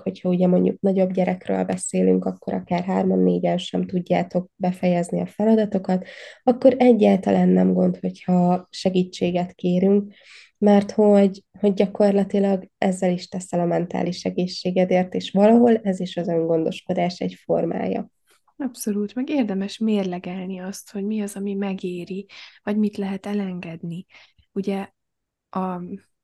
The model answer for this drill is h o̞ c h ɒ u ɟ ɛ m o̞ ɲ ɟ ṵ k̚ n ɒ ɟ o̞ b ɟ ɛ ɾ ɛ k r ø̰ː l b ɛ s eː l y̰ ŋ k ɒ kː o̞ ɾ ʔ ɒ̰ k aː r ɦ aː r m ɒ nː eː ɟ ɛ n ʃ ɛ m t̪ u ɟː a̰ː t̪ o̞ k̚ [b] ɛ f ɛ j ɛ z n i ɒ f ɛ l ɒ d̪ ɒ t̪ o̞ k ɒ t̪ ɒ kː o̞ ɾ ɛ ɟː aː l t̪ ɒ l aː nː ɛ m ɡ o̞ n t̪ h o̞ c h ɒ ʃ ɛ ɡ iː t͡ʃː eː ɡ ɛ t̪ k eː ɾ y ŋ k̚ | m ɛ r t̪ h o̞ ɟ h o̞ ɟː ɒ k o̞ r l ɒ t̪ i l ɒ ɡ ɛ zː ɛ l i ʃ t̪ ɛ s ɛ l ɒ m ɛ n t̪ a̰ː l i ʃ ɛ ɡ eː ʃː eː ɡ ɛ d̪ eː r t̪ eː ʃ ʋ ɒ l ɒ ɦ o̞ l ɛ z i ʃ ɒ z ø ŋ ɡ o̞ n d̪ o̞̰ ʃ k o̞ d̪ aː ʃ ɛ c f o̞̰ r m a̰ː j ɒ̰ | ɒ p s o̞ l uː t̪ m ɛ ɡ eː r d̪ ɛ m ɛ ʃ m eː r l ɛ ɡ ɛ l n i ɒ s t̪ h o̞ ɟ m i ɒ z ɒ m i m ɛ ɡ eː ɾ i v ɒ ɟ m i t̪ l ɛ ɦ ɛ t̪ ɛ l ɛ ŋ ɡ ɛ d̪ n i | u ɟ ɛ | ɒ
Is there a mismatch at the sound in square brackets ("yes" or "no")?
no